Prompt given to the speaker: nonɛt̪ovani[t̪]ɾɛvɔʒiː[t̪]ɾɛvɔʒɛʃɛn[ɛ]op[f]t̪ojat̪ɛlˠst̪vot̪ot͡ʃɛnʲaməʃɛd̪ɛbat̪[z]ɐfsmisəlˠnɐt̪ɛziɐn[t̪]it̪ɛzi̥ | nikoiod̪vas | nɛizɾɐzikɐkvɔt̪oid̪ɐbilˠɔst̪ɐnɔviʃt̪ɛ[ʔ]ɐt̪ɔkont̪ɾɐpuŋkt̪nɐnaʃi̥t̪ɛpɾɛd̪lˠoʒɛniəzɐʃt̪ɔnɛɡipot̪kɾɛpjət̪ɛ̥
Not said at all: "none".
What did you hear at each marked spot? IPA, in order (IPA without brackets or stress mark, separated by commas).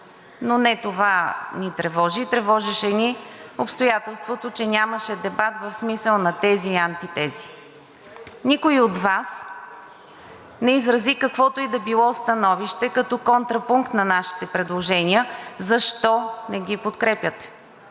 t̪, t̪, i, s, v, t̪, k